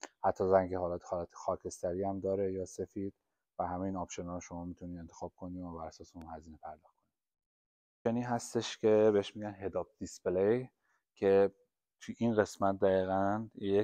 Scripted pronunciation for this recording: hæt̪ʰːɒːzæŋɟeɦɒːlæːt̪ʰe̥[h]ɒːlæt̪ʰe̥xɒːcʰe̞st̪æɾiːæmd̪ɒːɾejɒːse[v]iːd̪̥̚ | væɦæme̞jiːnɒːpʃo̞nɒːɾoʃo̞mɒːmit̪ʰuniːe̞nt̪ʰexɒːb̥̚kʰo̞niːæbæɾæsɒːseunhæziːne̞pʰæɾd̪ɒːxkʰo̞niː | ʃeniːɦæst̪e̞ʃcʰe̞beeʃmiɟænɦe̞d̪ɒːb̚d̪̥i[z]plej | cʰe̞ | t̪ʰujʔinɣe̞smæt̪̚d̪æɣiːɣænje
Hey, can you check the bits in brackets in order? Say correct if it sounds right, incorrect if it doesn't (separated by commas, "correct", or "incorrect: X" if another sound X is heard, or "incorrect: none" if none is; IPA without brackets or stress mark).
correct, incorrect: f, incorrect: s